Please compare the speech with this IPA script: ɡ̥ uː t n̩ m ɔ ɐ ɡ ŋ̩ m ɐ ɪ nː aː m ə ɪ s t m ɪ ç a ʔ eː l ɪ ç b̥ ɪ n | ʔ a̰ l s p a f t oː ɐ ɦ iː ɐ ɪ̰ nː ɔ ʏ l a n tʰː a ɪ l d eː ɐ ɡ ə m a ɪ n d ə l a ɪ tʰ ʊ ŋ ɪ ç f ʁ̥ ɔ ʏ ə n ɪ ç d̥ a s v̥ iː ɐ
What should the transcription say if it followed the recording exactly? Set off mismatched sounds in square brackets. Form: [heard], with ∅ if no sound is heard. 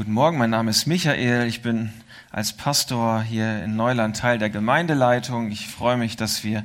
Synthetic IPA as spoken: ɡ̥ uː t n̩ m ɔ ɐ ɡ ŋ̩ m [a] ɪ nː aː m ə ɪ s t m ɪ ç a ʔ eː l ɪ ç b̥ ɪ n | ʔ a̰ l s [pʰ] a [s] t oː ɐ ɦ iː ɐ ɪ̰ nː ɔ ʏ l a n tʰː a ɪ l d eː ɐ ɡ ə m a ɪ n d ə l a ɪ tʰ ʊ ŋ ɪ ç f ʁ̥ ɔ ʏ ə [m] ɪ ç d̥ a s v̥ iː ɐ